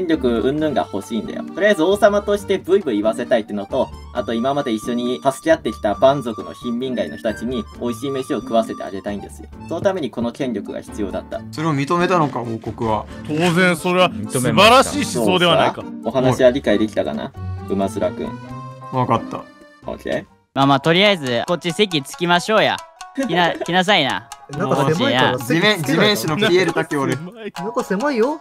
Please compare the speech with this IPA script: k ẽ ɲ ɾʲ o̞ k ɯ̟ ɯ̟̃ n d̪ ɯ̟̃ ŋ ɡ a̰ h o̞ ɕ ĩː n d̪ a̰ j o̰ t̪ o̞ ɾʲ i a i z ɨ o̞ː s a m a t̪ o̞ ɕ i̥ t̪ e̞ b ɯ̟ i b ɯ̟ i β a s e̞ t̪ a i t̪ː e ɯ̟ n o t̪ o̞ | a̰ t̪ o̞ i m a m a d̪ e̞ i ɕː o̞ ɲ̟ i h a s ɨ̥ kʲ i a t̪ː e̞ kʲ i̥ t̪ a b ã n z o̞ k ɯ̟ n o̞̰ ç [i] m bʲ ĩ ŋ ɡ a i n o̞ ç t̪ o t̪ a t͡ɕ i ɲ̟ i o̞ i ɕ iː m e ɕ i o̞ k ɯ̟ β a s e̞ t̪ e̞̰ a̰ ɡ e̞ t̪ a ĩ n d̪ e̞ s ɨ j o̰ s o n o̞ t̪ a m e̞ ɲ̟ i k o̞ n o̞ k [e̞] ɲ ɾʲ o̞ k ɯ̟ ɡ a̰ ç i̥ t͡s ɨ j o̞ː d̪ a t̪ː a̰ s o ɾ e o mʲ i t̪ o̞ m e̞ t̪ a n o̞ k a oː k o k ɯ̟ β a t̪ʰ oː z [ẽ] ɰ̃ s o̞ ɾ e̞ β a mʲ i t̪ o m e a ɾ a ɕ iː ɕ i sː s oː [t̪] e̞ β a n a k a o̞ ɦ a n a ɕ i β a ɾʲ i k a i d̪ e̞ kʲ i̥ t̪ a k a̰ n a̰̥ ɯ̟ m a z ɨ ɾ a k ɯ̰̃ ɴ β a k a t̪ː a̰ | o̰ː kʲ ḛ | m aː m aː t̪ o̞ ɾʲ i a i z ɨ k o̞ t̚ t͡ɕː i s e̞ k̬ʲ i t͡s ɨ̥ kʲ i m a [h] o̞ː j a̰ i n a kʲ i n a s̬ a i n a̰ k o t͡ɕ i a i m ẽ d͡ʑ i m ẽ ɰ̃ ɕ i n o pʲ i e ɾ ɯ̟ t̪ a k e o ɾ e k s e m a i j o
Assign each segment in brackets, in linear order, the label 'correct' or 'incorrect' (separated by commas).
incorrect, incorrect, correct, incorrect, incorrect